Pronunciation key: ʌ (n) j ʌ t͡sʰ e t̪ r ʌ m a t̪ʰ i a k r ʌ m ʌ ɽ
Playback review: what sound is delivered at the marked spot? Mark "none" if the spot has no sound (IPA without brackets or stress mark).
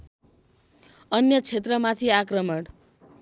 n